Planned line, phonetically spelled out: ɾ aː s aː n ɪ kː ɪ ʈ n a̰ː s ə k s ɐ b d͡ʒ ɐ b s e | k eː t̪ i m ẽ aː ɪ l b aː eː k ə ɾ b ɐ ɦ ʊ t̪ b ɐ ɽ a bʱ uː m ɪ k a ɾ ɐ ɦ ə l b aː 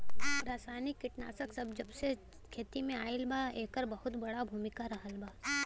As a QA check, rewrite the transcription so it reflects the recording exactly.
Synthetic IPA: ɾ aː s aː n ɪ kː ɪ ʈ n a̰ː s ə k s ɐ b d͡ʒ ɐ b s e | kʰ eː t̪ i m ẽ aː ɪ l b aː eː k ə ɾ b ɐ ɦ ʊ t̪ b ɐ ɽ a bʱ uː m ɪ k a ɾ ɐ ɦ ə l b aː